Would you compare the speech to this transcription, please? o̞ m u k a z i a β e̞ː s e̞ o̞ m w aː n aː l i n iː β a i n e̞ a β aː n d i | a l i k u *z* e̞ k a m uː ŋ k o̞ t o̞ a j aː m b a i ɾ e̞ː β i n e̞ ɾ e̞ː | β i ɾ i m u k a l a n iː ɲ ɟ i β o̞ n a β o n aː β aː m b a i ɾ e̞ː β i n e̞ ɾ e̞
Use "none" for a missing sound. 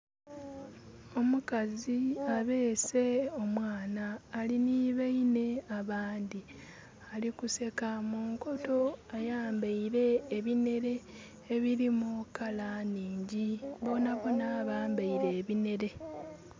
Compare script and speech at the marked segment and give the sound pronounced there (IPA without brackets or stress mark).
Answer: s